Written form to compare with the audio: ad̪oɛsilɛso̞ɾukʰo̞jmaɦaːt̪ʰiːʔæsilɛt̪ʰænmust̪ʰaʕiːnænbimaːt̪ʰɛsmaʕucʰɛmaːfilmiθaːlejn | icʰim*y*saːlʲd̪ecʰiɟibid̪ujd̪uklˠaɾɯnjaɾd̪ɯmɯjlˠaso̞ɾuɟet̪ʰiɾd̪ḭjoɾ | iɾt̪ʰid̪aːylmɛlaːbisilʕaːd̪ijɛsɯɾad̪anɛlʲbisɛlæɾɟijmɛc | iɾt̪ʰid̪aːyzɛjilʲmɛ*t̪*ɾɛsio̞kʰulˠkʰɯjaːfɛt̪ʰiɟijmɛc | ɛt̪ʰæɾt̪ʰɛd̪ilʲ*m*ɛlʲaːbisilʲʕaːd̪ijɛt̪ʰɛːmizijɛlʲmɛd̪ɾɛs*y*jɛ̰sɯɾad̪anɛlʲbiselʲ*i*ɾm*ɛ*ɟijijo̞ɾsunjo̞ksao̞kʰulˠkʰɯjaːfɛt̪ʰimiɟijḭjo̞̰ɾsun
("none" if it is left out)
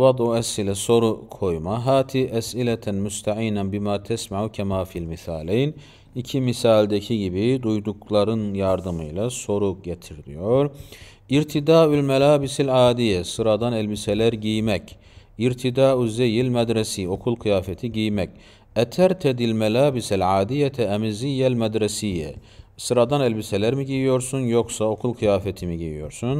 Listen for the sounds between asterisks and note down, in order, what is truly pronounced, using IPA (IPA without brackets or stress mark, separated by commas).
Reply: i, d̪, m, i, æ, i